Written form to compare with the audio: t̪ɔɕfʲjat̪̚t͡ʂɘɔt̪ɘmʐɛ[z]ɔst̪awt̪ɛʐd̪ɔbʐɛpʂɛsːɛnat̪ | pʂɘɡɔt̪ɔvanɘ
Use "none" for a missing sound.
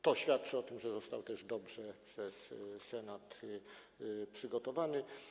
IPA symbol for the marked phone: z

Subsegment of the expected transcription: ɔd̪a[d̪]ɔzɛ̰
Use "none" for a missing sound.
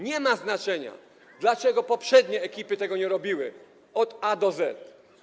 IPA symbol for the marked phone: d̪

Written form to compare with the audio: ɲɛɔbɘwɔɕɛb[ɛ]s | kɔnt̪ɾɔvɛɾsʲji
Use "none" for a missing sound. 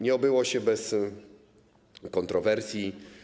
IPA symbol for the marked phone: ɛ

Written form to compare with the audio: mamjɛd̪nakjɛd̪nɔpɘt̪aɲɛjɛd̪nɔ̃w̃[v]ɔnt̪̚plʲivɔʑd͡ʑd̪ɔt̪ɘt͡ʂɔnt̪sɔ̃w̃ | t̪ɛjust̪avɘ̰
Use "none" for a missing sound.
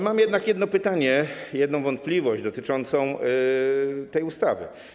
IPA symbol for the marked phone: v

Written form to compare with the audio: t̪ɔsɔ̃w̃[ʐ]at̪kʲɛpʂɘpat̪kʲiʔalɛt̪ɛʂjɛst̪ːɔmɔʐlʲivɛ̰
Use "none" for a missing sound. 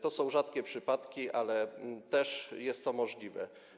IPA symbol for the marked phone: ʐ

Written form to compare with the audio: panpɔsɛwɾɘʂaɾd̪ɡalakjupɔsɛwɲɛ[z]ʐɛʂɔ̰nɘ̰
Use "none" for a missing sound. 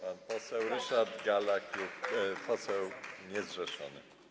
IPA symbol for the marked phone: z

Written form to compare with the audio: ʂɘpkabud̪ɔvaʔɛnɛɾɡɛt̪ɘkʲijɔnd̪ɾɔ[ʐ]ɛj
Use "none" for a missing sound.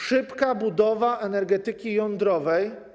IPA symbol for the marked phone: v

